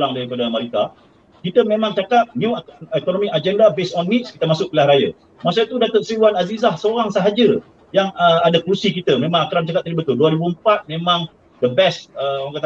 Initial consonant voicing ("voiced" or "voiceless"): voiced